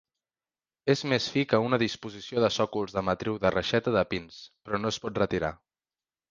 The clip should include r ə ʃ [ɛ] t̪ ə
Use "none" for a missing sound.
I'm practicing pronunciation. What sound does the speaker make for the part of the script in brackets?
ɛ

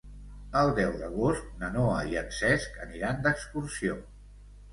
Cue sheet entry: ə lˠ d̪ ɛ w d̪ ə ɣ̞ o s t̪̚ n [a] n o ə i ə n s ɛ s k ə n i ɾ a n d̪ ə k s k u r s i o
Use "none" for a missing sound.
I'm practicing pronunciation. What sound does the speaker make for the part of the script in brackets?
ə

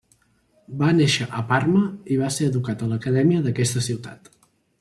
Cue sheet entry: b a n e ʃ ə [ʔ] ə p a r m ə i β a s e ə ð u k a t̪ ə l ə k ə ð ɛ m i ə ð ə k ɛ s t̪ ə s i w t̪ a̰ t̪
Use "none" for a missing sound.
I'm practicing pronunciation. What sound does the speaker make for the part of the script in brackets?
ʔ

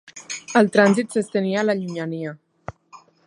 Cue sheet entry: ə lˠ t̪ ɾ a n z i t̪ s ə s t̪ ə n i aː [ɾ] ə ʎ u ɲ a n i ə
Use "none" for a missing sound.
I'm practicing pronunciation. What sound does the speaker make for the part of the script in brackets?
l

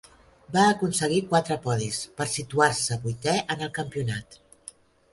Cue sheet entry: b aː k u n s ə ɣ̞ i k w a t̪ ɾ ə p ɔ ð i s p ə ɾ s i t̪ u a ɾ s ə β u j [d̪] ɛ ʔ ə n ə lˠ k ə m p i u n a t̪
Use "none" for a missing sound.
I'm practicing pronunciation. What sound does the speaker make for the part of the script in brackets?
t̪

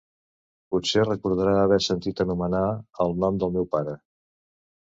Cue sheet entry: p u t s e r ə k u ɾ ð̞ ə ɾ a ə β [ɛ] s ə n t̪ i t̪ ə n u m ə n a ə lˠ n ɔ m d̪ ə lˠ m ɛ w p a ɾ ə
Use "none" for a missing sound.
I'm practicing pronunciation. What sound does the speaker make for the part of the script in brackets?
ɛ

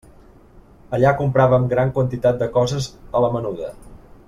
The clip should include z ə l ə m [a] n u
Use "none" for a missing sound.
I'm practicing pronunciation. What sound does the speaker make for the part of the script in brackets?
ə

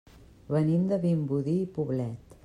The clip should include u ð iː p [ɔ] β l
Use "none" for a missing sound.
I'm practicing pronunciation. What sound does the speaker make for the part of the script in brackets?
u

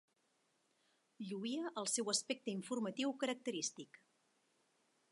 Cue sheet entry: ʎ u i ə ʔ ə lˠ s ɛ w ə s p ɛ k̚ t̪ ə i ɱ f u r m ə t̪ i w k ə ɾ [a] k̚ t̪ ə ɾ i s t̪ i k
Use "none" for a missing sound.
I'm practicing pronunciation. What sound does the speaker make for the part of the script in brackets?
ə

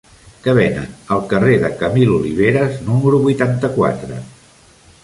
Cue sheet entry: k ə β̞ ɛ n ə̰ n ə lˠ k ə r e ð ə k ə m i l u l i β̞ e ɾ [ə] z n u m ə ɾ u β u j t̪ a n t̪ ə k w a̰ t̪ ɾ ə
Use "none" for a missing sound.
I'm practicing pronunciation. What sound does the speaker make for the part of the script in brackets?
ə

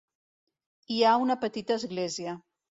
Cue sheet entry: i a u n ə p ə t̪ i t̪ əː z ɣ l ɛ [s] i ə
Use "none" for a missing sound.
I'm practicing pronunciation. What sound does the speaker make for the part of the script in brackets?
z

